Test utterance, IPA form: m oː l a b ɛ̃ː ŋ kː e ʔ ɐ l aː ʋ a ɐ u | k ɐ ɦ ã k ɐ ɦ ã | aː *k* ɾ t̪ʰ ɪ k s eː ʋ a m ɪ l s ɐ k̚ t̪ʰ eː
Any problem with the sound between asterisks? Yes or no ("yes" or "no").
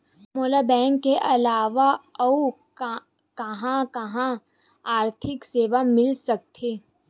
yes